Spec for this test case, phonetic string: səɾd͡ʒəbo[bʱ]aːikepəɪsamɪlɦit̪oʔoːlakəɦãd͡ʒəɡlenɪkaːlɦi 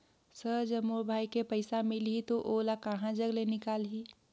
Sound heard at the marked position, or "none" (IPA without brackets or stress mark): bʱ